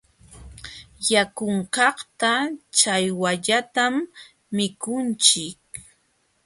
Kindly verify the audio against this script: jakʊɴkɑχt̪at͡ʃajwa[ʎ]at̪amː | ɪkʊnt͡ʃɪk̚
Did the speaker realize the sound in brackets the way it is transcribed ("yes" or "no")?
yes